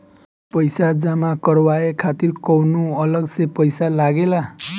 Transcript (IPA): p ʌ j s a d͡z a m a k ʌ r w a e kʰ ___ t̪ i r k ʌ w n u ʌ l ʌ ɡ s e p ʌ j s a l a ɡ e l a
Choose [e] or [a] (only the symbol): a